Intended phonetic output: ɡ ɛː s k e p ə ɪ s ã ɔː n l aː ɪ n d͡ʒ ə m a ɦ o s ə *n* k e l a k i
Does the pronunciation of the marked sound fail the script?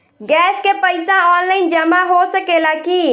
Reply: yes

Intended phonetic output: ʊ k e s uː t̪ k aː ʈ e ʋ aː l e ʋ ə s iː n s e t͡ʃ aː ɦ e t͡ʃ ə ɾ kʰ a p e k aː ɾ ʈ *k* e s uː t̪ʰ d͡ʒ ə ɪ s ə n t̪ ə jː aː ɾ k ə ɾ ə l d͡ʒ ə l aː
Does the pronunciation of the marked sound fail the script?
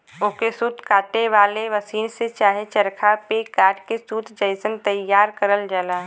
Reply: no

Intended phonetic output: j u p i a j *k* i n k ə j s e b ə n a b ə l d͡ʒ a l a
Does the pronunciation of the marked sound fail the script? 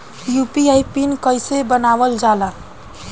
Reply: yes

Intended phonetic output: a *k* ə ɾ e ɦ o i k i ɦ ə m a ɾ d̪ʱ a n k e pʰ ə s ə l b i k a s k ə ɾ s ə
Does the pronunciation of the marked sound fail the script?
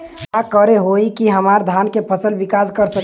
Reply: no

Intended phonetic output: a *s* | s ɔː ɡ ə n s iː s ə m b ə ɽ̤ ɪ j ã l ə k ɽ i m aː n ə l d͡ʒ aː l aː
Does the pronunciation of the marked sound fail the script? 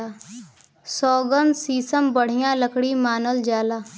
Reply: yes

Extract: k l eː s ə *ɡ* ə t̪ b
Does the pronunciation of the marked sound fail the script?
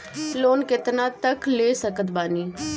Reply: yes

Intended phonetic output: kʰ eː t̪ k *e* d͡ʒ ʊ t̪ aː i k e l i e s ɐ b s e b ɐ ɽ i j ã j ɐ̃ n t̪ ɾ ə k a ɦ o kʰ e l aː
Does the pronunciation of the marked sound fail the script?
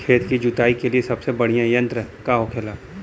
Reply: yes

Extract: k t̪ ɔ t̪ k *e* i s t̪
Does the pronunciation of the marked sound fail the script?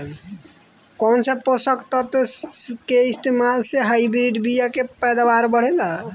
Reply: no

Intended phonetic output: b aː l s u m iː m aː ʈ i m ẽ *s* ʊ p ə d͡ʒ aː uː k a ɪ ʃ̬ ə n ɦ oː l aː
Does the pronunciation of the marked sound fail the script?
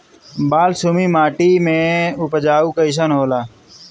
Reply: yes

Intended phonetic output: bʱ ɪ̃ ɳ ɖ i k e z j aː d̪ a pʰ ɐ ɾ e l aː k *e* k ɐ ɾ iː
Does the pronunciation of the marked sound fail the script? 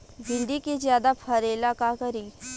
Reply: yes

